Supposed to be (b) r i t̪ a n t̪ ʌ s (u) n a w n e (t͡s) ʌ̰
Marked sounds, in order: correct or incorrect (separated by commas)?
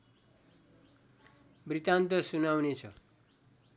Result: correct, correct, incorrect